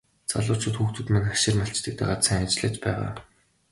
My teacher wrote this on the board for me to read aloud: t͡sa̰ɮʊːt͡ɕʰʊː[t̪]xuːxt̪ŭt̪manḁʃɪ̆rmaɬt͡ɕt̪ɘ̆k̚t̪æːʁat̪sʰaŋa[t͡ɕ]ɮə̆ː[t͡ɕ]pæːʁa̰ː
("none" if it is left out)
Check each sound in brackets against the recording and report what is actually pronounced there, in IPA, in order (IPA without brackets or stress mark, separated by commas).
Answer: t̪, t͡ɕ, t͡ɕ